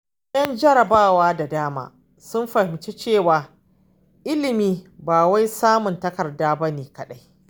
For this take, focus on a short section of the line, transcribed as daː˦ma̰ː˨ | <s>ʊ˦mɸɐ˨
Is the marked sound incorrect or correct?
correct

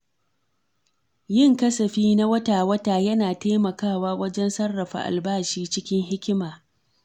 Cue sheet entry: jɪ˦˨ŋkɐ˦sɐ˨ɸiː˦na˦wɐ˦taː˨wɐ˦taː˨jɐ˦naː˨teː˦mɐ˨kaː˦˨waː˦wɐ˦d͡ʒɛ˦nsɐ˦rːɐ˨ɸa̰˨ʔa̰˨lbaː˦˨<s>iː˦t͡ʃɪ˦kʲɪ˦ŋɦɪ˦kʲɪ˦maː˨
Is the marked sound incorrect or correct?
incorrect: ʃ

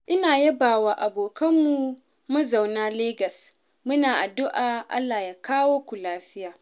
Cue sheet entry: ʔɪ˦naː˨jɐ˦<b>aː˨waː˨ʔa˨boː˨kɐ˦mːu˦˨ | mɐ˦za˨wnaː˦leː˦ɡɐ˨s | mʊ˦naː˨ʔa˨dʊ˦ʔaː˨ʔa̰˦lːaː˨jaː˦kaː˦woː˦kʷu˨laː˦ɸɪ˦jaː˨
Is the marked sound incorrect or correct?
correct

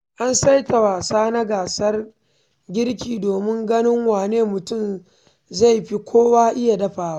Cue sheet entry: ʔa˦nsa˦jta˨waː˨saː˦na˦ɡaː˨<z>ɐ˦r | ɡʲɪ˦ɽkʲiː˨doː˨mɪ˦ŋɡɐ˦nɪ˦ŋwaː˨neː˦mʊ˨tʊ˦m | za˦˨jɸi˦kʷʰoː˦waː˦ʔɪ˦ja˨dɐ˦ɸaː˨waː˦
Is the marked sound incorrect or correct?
incorrect: s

